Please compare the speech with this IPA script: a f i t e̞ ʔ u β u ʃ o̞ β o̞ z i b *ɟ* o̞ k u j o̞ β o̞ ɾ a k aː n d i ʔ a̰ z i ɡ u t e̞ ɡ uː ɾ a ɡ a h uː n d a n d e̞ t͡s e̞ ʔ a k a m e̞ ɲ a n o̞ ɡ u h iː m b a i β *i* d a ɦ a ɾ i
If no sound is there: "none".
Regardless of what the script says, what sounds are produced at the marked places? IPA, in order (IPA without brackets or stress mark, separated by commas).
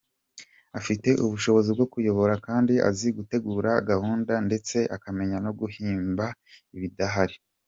ɡ, i